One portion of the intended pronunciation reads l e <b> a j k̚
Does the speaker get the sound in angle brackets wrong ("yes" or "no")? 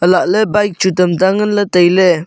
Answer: no